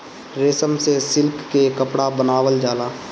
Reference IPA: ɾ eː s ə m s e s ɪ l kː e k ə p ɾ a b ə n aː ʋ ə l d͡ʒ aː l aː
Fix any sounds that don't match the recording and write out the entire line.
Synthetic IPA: ɾ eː s ə m s e s ɪ l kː e k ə p ɽ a b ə n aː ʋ ə l d͡ʒ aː l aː